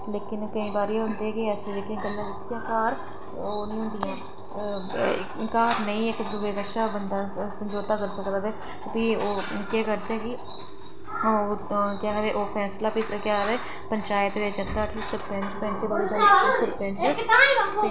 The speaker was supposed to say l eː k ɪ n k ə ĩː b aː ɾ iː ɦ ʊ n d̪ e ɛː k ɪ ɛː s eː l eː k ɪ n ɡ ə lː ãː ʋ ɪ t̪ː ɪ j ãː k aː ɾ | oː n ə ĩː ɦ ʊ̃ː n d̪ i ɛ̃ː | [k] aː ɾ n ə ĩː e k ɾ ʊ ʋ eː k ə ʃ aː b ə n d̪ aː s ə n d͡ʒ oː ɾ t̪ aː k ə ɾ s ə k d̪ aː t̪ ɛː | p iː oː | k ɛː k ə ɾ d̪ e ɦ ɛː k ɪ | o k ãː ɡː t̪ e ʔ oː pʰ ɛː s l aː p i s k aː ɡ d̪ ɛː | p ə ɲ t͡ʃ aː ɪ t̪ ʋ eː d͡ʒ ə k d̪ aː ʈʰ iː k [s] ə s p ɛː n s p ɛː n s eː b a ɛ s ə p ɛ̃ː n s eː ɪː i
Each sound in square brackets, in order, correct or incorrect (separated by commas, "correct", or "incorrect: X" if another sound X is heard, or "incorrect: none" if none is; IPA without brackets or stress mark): correct, correct